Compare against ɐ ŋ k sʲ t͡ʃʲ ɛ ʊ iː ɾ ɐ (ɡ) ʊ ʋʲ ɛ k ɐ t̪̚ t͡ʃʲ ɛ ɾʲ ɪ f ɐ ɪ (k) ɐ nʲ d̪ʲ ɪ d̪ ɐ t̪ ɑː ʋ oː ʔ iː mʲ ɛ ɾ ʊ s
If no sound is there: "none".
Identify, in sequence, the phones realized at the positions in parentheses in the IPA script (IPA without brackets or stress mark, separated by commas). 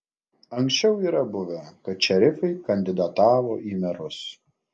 b, k